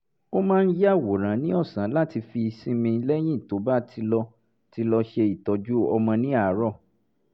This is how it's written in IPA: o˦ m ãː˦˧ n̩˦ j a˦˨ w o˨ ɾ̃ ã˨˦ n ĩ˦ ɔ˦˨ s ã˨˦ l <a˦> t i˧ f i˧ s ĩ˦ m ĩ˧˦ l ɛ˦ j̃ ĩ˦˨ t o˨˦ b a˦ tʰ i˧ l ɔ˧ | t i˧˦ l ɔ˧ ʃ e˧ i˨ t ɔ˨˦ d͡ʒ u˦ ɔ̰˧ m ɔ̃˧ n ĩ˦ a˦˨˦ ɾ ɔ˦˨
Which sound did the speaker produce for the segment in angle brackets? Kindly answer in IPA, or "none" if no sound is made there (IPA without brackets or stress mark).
a˦